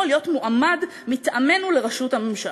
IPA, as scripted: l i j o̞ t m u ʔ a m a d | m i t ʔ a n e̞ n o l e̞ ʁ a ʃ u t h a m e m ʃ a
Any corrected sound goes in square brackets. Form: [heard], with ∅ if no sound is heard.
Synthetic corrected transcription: l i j o̞ t m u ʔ a m a d | m i t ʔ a [m] e̞ n [u] l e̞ ʁ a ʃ u t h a m e m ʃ a